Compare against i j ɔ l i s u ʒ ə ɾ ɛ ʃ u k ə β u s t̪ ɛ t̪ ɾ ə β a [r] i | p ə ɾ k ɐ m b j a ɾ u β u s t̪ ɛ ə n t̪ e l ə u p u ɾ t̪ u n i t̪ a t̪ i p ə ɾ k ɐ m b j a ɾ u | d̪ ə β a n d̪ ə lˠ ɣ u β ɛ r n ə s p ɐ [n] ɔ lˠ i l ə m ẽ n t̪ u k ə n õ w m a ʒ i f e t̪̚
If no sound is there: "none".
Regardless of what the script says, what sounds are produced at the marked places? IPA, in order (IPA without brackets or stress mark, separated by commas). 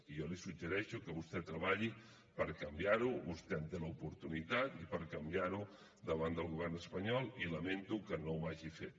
ʎ, ɲ